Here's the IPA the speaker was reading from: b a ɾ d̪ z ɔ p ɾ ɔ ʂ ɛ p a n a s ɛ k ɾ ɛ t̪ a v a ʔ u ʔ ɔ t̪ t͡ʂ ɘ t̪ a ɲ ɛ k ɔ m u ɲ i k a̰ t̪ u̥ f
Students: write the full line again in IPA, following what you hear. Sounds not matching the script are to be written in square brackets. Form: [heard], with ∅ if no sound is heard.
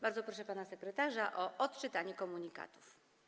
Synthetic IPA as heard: b a ɾ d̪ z ɔ p ɾ ɔ ʂ ɛ p a n a s ɛ k ɾ ɛ t̪ a [ʐ] a ʔ [ɔ] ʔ ɔ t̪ t͡ʂ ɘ t̪ a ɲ ɛ k ɔ m u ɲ i k a̰ t̪ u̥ f